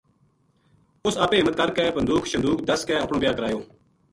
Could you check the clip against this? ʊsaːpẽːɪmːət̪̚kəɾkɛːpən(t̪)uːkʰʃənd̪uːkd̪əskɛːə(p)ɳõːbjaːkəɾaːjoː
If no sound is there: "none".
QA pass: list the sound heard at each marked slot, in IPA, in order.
d̪, p

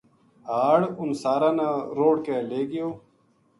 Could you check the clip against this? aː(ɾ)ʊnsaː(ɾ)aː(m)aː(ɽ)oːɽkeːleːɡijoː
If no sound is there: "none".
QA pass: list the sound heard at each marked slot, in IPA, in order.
ɽ, ɾ, n, ɾ

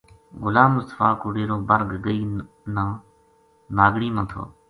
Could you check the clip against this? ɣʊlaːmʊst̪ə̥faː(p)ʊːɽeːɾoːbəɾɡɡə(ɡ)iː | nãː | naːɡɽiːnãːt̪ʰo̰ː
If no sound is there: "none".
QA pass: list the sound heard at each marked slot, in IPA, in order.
k, none

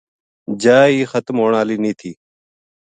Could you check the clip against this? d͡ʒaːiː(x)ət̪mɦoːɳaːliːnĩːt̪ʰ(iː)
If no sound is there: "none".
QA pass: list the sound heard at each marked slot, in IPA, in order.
x, iː

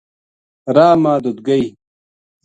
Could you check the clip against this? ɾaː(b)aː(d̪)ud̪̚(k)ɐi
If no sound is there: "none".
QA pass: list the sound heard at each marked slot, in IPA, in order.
m, d̪, ɡ

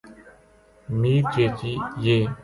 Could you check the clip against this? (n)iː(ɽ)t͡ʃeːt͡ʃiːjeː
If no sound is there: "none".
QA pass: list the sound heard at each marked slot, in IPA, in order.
m, ɾ

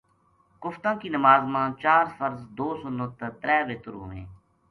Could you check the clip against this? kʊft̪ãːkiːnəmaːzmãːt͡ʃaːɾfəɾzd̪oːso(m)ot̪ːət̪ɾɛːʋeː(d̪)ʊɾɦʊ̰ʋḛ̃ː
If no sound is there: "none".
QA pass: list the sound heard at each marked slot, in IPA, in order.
n, t̪

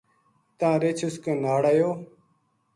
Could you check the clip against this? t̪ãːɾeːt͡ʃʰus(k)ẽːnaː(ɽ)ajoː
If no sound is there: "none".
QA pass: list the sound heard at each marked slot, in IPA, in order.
k, ɽ

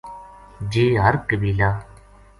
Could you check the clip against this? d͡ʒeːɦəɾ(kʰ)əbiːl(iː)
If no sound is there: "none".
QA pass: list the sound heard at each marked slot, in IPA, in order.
k, aː

